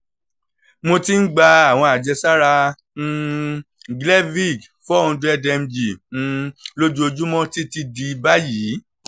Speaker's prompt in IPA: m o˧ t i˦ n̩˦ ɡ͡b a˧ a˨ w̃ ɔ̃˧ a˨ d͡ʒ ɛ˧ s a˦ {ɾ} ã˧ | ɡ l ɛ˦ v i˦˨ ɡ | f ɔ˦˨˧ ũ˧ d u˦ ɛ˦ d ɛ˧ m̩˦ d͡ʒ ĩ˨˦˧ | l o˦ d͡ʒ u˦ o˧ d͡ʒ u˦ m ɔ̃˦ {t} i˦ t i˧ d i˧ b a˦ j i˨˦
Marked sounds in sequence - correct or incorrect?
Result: correct, correct

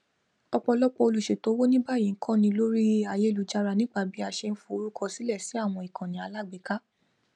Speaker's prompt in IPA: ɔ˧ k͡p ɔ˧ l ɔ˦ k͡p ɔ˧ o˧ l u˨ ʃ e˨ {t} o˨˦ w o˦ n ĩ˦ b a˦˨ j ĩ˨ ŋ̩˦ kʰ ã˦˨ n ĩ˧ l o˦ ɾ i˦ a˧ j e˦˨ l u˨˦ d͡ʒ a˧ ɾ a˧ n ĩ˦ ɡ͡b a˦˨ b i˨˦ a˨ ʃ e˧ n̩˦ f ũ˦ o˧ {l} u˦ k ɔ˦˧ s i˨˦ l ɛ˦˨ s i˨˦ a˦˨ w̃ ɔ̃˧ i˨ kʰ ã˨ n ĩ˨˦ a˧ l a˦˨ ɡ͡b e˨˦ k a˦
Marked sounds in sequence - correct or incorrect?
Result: correct, incorrect

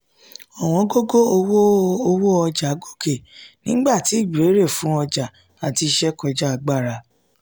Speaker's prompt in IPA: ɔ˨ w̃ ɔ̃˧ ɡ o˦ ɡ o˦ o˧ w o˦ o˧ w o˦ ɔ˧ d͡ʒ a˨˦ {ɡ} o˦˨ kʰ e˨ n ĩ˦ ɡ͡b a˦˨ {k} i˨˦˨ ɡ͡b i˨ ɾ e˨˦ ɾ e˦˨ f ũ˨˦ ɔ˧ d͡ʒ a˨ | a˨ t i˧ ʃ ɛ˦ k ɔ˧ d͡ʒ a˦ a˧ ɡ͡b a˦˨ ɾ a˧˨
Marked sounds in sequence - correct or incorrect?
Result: correct, incorrect

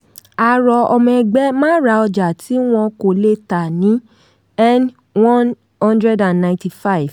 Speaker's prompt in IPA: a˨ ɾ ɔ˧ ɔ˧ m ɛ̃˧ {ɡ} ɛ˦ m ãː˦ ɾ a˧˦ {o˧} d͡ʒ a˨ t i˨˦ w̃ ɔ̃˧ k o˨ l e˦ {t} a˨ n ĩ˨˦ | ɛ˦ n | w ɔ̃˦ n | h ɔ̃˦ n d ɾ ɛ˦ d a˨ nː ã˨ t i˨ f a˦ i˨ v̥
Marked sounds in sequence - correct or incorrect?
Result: incorrect, incorrect, correct

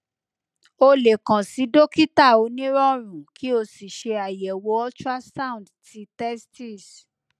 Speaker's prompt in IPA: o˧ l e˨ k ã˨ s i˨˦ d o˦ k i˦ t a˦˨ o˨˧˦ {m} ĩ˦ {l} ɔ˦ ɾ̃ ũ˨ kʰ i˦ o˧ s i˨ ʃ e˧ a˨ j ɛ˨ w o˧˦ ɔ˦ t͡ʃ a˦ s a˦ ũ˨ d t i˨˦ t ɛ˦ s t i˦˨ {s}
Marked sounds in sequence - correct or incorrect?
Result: incorrect, incorrect, correct

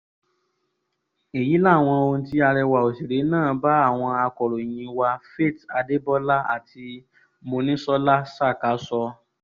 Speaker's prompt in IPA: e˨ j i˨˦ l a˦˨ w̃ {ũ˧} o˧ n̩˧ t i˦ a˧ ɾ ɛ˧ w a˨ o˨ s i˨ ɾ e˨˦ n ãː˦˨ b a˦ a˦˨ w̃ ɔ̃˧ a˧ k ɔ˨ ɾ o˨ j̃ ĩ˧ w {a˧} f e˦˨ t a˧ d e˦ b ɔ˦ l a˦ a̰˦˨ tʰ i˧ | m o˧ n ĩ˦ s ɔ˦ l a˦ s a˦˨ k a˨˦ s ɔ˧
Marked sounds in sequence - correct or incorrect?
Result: incorrect, correct

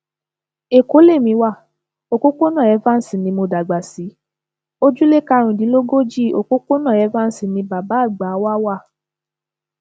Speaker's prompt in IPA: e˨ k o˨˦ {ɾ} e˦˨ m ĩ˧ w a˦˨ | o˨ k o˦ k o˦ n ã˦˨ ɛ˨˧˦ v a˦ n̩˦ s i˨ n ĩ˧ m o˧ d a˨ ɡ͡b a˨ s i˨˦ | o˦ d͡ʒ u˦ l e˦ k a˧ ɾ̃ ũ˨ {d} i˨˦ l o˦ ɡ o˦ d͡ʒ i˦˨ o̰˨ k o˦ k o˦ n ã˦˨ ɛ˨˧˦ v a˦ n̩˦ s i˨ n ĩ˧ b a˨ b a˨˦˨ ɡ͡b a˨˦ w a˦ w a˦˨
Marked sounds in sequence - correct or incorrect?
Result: incorrect, correct

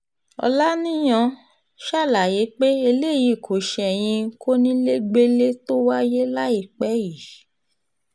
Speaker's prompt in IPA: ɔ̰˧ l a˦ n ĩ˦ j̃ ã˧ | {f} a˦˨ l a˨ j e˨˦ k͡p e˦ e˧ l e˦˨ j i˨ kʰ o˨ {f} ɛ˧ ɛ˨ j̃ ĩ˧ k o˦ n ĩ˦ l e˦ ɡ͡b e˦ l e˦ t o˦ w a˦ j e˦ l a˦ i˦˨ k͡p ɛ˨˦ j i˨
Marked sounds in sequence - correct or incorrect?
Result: incorrect, incorrect

